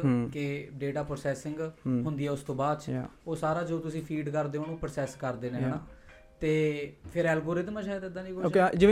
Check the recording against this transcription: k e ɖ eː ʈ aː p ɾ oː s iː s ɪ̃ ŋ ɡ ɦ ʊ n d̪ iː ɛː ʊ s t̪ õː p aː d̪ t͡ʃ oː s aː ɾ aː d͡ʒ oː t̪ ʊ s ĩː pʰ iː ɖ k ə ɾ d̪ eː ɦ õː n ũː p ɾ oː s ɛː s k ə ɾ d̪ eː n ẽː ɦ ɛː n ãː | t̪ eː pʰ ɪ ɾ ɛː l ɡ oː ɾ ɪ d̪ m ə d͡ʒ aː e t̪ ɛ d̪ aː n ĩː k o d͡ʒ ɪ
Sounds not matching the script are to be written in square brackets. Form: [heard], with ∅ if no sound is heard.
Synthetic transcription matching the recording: k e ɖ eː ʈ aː p ɾ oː s [ɛː] s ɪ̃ ŋ ɡ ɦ ʊ n d̪ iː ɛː ʊ s t̪ õː [b] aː d̪ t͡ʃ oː s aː ɾ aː d͡ʒ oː t̪ ʊ s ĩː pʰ iː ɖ k ə ɾ d̪ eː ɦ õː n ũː p ɾ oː s ɛː s k ə ɾ d̪ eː n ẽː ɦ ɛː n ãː | t̪ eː pʰ ɪ ɾ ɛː l ɡ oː ɾ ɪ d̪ m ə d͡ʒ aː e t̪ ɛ d̪ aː n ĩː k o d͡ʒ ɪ